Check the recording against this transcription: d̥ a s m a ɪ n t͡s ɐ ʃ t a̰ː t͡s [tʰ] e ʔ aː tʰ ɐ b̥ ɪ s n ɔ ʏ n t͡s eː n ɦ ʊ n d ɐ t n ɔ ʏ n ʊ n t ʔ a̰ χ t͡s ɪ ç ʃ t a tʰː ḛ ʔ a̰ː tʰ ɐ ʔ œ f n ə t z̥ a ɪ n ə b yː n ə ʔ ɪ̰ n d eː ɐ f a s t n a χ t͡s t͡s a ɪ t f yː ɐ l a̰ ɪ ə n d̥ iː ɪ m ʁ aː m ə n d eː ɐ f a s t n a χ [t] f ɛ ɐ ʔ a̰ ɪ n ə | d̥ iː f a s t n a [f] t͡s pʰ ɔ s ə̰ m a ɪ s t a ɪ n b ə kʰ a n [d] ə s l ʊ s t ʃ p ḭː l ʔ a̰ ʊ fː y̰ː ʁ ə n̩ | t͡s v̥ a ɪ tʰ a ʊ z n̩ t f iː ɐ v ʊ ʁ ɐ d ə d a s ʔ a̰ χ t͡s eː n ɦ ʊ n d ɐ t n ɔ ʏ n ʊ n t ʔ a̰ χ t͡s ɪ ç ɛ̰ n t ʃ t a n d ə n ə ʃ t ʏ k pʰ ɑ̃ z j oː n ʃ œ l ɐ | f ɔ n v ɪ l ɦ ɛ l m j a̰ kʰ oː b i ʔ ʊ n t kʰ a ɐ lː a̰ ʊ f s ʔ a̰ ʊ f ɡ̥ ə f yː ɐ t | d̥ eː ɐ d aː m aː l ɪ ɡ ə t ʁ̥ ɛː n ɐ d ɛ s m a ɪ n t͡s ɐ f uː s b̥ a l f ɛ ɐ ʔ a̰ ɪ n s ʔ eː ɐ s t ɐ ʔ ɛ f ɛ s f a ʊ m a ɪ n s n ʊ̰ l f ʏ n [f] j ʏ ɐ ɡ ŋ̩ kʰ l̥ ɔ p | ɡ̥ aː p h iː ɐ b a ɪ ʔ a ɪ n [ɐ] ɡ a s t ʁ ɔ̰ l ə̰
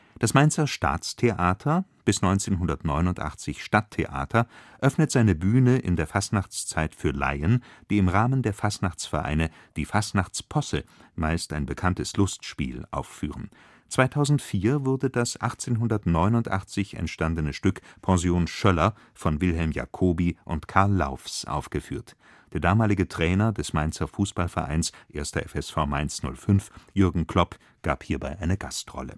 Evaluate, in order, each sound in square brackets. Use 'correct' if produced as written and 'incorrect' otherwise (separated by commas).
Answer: correct, incorrect, incorrect, incorrect, correct, incorrect